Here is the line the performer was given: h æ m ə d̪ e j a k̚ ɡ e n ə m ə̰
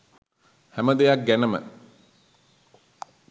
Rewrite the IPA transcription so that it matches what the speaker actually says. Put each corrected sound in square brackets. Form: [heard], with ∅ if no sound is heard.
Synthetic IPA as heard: h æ m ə d̪ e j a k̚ ɡ [æ] n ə m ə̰